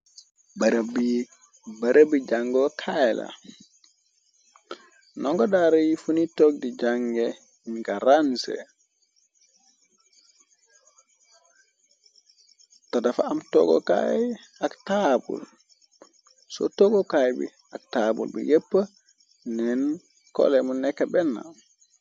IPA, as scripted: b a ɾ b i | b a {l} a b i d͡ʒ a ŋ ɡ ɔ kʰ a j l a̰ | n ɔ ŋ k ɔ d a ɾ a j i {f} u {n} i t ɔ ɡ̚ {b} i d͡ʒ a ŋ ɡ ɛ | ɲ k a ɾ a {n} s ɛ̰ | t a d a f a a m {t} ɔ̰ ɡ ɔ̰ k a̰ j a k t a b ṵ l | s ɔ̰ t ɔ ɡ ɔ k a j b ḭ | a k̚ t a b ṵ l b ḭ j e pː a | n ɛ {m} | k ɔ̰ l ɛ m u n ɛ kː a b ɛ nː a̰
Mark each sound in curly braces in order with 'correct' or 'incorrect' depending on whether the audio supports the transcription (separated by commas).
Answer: incorrect, correct, correct, incorrect, correct, correct, incorrect